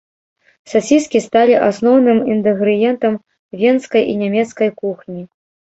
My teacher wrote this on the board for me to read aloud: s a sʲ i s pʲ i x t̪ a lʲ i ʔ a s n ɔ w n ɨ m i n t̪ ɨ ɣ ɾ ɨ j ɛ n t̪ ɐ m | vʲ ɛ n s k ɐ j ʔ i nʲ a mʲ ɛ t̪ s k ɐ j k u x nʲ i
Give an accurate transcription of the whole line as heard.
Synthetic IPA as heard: s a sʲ i s kʲ i s t̪ a lʲ i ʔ a s n ɔ w n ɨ m i n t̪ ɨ ɣ ɾ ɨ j ɛ n t̪ ɐ m | vʲ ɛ n s k ɐ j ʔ i nʲ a mʲ ɛ t̪ s k ɐ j k u x nʲ i

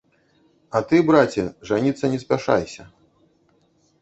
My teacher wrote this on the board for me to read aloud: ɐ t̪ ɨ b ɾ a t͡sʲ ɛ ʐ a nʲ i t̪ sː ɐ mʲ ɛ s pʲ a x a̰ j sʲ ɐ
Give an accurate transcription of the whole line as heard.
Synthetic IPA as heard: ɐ t̪ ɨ b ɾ a t͡sʲ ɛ ʐ a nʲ i t̪ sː ɐ nʲ ɛ s pʲ a ʂ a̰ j sʲ ɐ

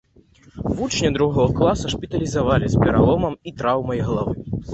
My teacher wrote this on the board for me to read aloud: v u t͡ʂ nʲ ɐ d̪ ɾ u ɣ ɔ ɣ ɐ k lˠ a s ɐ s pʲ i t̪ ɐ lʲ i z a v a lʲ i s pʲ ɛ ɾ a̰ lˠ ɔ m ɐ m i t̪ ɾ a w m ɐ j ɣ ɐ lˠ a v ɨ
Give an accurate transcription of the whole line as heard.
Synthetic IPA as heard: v u t͡ʂ nʲ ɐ d̪ ɾ u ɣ ɔ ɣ ɐ k lˠ a s ɐ ʂ pʲ i t̪ ɐ lʲ i z a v a lʲ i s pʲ ɛ ɾ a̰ lˠ ɔ m ɐ m i t̪ ɾ a w m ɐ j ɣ ɐ lˠ a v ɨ

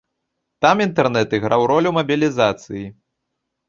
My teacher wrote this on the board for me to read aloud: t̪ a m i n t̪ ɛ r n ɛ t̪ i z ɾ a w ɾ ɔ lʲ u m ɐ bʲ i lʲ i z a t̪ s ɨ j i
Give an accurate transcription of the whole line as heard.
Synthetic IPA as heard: t̪ a m i n t̪ ɛ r n ɛ t̪ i ɣ ɾ a w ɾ ɔ lʲ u m ɐ bʲ i lʲ i z a t̪ s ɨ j i

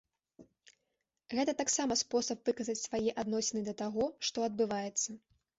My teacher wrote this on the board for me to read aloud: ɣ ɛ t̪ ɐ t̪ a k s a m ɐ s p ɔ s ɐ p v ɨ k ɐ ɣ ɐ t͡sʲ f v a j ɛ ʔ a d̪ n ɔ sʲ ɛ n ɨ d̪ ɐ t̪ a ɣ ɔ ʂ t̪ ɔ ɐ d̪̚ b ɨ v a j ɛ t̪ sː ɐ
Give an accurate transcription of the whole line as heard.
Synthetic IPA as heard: ɣ ɛ t̪ ɐ t̪ a k s a m ɐ s p ɔ s ɐ p v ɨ k ɐ z ɐ t͡sʲ s v a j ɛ ʔ a d̪ n ɔ sʲ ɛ n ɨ d̪ ɐ t̪ a ɣ ɔ ʂ t̪ ɔ ɐ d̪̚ b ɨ v a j ɛ t̪ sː ɐ

